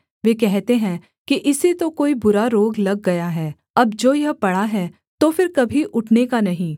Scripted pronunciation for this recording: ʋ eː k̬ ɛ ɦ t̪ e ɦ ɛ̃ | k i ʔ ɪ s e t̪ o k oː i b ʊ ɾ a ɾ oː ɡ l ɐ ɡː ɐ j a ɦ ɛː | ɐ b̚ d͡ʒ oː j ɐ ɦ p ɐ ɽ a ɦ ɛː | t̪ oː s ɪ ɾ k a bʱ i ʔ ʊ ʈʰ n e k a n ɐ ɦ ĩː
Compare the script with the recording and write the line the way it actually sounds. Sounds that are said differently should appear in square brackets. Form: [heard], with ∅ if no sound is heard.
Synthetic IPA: ʋ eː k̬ ɛ ɦ t̪ e ɦ ɛ̃ | k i ʔ ɪ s e t̪ o k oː i b ʊ ɾ a ɾ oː ɡ l ɐ ɡː ɐ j a ɦ ɛː | ɐ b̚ d͡ʒ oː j ɐ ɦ p ɐ ɽ a ɦ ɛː | t̪ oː [f] ɪ ɾ k [ɐ] bʱ i ʔ ʊ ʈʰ n e k a n ɐ ɦ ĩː